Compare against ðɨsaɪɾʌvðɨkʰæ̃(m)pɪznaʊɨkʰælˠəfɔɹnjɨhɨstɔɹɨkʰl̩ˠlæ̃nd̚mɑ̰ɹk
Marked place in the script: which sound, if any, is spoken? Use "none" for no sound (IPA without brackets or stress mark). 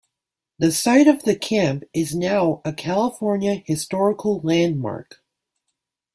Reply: m